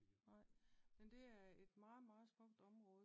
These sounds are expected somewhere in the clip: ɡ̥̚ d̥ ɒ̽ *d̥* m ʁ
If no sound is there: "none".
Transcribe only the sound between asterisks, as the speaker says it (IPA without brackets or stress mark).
none